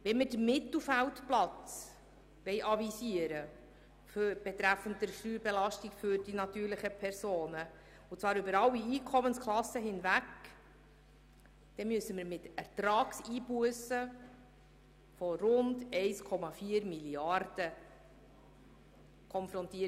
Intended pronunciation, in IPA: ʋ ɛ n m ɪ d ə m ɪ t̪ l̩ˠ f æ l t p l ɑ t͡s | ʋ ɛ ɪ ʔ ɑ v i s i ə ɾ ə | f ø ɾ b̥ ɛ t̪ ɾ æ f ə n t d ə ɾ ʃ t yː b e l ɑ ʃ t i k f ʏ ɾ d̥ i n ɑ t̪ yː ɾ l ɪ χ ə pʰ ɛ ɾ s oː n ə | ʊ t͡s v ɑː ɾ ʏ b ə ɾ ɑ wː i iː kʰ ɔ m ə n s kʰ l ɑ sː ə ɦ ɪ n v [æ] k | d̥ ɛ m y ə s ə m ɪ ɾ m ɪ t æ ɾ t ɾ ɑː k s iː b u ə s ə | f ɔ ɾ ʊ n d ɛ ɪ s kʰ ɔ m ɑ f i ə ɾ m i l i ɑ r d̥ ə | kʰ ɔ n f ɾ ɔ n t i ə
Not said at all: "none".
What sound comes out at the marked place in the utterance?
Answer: æ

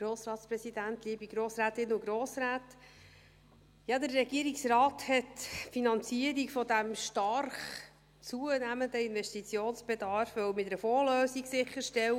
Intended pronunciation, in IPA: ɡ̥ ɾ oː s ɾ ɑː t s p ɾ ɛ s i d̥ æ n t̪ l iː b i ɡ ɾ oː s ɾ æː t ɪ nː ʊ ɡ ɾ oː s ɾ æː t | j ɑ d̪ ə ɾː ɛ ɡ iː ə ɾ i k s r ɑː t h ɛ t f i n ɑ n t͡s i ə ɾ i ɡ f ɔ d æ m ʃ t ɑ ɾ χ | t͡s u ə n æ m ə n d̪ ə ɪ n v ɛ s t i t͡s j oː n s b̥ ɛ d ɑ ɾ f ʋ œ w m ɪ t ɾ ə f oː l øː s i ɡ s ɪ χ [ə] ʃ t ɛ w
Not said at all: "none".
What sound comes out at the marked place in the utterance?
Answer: ə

